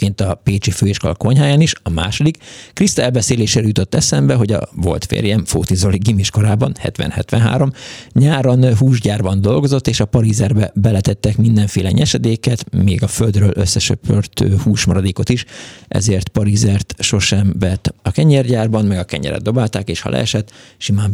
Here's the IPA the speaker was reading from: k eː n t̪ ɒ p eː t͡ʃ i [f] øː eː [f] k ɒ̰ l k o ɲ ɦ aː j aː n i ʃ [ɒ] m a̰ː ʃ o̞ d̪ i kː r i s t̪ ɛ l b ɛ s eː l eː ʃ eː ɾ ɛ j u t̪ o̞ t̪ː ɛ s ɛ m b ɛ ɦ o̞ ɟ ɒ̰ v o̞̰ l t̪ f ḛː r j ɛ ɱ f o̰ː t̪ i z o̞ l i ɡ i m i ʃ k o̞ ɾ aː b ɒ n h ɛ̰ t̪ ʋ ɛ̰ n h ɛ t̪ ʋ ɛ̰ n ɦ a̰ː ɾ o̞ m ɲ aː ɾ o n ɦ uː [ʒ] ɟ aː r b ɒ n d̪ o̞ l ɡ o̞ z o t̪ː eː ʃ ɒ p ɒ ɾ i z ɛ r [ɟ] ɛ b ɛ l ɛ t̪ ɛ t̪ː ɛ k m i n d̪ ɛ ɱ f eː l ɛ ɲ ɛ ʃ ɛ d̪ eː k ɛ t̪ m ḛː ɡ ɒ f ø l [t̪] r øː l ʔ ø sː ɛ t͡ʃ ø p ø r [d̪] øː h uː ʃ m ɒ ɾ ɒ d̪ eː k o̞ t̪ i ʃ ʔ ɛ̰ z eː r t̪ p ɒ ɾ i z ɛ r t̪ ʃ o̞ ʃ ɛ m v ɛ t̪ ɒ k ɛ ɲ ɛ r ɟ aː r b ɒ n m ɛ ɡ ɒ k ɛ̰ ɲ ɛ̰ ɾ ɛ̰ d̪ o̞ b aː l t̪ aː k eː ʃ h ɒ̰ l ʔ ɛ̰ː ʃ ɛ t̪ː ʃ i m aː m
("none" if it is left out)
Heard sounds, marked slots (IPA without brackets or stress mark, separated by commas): f, ʃ, ɒ, ʒ, b, d̪, t̪